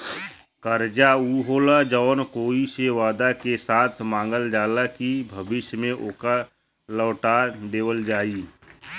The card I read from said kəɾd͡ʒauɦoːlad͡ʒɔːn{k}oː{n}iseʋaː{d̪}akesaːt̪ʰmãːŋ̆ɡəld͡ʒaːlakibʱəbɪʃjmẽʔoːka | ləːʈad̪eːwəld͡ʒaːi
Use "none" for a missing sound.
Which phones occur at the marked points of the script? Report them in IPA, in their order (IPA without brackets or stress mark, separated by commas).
k, none, d̪